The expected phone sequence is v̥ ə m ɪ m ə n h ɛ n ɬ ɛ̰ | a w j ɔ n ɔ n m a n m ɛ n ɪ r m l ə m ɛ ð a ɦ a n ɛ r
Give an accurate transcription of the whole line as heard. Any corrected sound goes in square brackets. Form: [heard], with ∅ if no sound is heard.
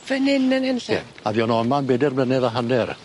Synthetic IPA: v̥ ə [n] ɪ [n] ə n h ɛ n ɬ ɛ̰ | a [v] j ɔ n ɔ n m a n [b] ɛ [d] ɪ r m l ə [n] ɛ ð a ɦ a n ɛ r